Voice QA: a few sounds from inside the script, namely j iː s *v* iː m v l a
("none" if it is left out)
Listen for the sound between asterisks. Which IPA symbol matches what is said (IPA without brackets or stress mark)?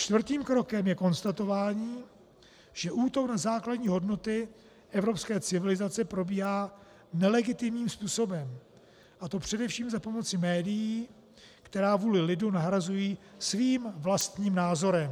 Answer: v